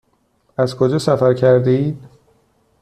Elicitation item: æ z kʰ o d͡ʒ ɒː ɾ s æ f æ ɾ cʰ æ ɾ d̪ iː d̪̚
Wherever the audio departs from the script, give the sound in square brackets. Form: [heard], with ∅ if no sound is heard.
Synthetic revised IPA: æ z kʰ o d͡ʒ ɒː [∅] s æ f æ ɾ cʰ æ ɾ d̪ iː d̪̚